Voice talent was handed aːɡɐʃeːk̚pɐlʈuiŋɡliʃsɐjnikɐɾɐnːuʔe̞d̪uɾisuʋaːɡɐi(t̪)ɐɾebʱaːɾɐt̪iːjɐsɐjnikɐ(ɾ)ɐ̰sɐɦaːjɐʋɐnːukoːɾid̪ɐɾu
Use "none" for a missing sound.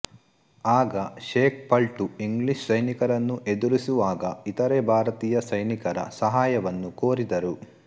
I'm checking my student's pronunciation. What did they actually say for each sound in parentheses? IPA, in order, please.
t̪, ɾ

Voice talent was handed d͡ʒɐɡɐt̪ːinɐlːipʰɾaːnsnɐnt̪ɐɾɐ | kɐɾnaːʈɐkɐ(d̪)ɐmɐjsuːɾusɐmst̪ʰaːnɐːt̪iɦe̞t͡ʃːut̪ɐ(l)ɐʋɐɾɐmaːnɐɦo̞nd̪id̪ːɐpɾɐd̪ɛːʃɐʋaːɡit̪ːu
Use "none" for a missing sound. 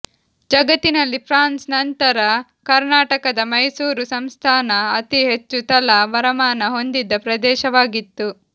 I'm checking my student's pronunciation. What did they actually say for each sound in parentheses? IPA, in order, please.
d̪, l

